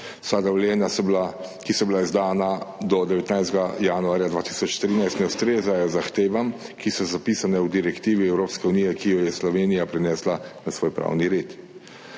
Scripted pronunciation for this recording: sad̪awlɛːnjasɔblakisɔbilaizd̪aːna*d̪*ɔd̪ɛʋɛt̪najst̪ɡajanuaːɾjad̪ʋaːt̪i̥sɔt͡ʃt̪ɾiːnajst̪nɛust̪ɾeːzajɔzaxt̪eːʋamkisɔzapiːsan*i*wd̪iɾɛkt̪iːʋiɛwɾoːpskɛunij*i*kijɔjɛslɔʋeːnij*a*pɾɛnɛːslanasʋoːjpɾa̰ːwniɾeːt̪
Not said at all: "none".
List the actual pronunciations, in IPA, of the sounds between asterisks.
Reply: d̪, ɛ, ɛ, a

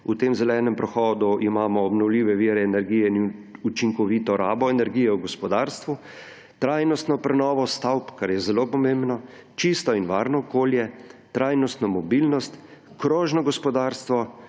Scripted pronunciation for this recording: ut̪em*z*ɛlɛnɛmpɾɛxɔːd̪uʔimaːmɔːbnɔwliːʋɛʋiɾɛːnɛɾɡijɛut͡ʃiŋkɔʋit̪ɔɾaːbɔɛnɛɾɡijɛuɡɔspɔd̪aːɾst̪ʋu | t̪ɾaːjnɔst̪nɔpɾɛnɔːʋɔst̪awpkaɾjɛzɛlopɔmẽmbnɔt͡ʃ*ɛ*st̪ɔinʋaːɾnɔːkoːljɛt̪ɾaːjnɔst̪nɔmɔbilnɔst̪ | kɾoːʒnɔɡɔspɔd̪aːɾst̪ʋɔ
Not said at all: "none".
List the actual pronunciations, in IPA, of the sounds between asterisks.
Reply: z, i

